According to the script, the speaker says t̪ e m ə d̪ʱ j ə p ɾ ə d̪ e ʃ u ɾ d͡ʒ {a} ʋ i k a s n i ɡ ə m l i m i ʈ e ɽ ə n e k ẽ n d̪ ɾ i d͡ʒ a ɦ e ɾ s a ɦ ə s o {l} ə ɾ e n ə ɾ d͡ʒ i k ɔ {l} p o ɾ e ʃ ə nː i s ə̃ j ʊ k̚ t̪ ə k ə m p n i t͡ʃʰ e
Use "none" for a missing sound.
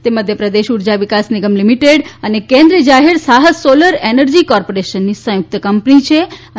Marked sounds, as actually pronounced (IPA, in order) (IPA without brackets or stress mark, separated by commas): a, l, ɾ